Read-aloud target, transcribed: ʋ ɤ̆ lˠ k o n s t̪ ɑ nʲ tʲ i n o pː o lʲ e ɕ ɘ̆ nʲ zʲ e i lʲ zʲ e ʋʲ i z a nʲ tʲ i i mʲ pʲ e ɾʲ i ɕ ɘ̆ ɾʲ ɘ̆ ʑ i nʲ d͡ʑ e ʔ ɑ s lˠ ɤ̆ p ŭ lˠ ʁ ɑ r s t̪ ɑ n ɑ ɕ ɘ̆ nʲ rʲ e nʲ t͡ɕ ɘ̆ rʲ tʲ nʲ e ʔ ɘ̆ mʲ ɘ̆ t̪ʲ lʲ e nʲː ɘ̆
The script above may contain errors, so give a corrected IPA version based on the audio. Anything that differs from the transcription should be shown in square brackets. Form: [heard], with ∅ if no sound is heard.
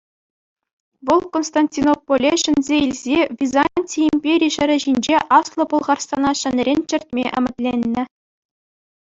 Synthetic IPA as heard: ʋ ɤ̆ lˠ k o n s t̪ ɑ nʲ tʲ i n o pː o lʲ e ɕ ɘ̆ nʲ zʲ e i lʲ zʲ e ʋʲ i z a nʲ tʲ i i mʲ pʲ e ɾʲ i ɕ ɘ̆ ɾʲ ɘ̆ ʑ i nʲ d͡ʑ e ʔ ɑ s lˠ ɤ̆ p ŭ lˠ ʁ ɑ r s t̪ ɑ n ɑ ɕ ɘ̆ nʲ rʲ e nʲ t͡ɕ ɘ̆ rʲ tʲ [mʲ] e ʔ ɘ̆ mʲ ɘ̆ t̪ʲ lʲ e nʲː ɘ̆